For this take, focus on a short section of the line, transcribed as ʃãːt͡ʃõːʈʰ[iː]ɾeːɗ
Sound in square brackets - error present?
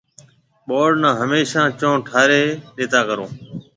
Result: yes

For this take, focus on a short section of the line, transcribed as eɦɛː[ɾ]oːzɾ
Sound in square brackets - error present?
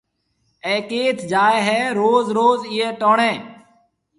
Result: no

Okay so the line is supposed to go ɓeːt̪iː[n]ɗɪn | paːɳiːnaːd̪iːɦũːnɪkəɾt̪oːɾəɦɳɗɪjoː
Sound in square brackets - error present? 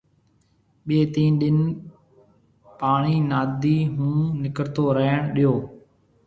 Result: no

